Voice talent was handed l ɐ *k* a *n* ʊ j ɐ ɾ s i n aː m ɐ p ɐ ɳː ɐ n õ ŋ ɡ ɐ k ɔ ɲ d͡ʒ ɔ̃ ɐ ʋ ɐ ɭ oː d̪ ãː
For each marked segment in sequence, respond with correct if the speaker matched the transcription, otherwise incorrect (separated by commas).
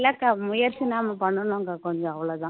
correct, incorrect